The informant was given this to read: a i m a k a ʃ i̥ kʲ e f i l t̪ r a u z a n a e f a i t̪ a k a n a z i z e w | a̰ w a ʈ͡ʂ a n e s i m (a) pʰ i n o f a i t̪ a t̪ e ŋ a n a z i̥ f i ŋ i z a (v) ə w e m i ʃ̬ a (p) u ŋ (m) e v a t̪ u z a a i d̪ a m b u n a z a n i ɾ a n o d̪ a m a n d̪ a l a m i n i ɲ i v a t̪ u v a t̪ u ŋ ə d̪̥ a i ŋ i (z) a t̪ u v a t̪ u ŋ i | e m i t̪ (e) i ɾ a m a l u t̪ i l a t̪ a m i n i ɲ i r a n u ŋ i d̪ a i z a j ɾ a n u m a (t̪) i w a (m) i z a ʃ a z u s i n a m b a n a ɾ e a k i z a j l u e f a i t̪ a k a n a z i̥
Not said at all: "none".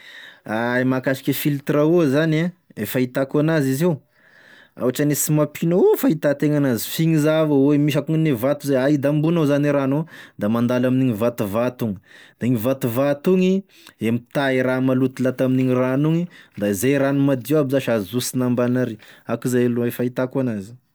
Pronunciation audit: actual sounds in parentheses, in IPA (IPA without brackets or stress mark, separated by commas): a, v, k, n, v, a, d̪, b